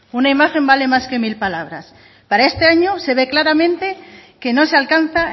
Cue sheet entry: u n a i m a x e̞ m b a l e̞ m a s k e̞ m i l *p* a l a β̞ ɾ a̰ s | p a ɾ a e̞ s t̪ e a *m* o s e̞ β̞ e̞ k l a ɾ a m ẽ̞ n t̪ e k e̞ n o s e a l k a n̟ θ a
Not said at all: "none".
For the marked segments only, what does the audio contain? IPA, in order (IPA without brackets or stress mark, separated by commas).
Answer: p, ɲ